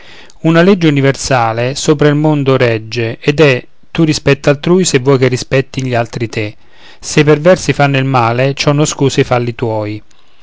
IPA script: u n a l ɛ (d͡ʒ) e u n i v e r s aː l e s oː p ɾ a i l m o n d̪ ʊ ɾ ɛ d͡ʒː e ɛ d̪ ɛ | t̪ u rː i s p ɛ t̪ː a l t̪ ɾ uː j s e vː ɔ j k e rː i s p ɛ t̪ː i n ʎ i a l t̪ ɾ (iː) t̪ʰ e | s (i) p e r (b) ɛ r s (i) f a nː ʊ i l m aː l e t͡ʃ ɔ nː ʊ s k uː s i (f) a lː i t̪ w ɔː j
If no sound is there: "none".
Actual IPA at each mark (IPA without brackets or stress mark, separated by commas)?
d͡ʒː, i, e, v, i, f